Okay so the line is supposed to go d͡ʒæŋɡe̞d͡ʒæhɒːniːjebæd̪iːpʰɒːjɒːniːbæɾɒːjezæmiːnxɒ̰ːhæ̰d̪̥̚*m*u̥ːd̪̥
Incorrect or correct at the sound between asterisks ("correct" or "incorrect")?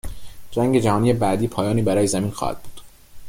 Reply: incorrect